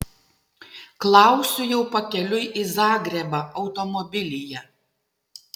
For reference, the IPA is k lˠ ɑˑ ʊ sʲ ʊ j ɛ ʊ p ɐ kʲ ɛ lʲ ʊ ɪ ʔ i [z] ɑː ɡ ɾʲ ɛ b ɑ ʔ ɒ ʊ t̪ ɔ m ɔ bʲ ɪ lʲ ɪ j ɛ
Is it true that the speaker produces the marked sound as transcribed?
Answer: yes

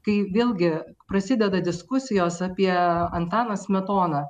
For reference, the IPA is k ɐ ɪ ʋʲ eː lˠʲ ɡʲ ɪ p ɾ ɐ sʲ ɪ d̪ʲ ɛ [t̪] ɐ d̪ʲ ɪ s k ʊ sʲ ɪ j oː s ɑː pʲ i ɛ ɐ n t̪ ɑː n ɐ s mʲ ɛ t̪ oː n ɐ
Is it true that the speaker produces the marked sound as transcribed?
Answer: no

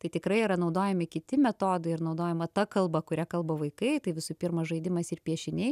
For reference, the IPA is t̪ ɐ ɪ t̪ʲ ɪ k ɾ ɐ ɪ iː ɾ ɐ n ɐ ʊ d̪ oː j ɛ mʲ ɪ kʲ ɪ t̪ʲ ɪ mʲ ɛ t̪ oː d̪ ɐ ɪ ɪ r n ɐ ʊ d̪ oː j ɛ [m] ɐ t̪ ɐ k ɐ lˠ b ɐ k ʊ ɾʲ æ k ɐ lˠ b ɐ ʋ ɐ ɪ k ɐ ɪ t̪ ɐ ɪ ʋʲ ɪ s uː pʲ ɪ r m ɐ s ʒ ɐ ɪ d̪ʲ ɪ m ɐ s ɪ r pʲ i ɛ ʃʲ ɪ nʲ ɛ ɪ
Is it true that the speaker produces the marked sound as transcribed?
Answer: yes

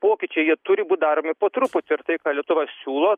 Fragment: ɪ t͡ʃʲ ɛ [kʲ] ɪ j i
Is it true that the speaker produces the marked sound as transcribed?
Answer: no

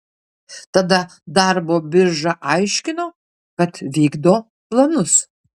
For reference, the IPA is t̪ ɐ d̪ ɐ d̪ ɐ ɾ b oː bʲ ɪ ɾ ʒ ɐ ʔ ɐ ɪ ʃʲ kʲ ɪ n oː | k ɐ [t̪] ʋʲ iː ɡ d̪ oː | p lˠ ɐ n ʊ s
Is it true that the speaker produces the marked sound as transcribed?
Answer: yes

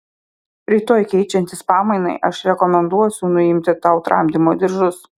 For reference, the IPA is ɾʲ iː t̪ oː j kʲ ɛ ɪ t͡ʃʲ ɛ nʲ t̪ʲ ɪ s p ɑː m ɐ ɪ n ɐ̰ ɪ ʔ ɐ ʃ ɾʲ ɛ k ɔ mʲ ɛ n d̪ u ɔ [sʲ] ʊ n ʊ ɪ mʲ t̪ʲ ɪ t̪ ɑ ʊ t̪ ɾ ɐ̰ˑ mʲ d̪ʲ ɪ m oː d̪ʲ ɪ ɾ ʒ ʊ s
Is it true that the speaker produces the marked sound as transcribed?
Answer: yes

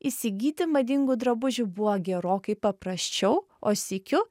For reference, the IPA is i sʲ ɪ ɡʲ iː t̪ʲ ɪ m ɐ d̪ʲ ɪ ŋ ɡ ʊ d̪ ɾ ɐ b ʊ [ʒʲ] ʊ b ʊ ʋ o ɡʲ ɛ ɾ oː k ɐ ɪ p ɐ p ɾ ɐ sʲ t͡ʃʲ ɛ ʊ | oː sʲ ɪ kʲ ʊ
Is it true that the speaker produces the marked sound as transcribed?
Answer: yes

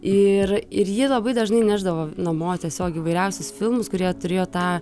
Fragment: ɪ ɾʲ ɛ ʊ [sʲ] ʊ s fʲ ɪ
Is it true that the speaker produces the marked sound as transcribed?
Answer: yes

